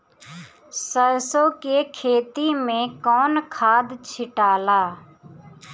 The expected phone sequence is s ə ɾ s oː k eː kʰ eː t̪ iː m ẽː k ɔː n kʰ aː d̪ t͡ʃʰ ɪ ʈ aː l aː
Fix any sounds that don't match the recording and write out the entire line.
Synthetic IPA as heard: s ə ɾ s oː k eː kʰ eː t̪ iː m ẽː k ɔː n kʰ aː d̪ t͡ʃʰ ɪ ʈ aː l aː